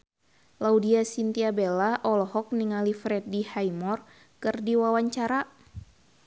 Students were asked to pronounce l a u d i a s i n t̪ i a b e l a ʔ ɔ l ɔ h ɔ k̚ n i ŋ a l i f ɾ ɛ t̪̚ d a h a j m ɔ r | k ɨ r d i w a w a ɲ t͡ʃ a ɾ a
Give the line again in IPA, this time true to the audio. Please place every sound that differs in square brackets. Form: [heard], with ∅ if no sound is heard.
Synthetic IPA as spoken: l a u d i a s i n t̪ i a b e l a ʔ ɔ l ɔ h ɔ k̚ n i ŋ a l i f ɾ ɛ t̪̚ d [i] h a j m ɔ r | k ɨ r d i w a w a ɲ t͡ʃ a ɾ a